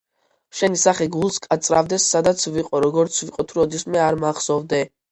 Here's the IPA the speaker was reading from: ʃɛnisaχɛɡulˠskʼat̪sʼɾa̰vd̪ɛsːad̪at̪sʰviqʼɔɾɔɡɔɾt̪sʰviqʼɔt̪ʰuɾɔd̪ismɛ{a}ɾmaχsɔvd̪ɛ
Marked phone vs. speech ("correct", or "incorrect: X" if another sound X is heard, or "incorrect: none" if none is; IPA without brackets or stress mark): correct